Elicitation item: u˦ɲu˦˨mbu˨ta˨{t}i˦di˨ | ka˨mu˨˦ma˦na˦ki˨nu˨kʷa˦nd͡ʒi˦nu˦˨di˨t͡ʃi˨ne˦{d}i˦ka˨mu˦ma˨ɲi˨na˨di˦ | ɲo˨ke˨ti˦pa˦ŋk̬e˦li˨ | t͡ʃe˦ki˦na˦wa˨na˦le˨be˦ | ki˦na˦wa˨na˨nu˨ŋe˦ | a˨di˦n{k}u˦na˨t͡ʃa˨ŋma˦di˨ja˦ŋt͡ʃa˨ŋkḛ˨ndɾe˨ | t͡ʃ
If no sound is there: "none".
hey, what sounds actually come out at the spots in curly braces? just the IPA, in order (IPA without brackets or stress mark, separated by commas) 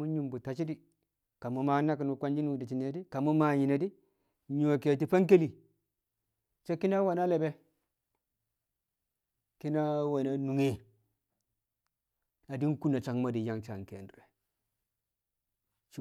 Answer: t͡ʃ, d, k